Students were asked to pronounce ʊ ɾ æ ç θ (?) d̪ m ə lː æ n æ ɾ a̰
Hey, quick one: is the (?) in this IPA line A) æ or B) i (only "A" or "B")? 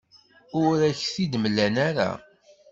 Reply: B